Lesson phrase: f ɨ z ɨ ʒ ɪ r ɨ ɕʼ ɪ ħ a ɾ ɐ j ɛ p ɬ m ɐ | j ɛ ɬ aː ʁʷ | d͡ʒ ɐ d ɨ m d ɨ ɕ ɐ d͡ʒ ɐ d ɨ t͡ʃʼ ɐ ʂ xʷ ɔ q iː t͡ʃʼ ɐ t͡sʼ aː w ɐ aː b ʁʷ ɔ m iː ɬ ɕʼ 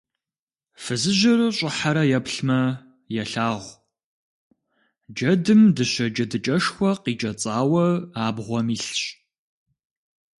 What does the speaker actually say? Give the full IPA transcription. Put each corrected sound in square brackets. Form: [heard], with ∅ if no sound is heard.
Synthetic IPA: f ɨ z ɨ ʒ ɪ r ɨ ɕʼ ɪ ħ a ɾ ɐ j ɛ p ɬ m ɐ | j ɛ ɬ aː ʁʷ | d͡ʒ ɐ d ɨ m d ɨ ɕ ɐ d͡ʒ ɐ d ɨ t͡ʃʼ ɐ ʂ xʷ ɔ q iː t͡ʃʼ ɐ t͡sʼ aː w ɐ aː b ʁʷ ɔ m iː ɬ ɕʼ